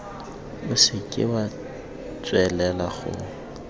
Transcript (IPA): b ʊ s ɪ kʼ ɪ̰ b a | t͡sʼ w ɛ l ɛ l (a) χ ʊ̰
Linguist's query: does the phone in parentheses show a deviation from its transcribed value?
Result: no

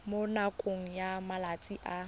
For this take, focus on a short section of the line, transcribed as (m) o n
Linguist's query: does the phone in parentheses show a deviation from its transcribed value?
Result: no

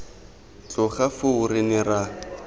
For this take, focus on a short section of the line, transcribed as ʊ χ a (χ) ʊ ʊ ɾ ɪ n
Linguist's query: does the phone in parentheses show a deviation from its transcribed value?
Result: yes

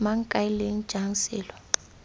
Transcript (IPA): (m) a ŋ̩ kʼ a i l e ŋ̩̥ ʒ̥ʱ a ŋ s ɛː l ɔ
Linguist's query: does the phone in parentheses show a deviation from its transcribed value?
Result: no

